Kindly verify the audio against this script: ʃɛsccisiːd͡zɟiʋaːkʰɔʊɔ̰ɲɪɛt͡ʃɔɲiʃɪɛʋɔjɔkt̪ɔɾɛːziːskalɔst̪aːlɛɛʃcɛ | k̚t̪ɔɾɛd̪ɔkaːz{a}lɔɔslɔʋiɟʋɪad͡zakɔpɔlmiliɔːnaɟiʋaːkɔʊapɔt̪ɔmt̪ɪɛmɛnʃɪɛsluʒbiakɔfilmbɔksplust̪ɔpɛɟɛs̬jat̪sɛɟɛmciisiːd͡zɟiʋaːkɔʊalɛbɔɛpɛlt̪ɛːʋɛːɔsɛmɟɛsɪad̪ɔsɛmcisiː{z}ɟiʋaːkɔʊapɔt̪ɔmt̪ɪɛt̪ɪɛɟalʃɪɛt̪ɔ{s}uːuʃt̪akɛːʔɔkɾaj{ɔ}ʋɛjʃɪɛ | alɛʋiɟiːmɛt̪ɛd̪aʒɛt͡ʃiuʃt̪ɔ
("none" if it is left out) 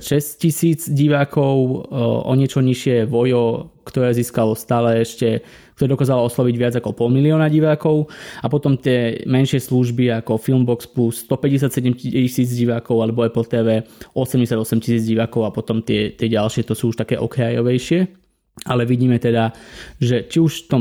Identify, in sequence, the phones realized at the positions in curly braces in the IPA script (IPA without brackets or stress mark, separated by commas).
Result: a, d͡z, s, ɔ